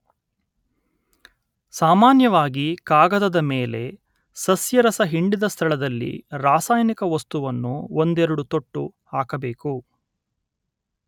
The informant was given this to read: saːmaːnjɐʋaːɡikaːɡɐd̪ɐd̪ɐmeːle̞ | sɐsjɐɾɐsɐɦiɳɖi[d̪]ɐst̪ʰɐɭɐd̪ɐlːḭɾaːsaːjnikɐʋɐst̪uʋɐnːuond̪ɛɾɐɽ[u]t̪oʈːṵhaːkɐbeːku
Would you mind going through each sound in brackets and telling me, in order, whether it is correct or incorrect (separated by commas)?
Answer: correct, correct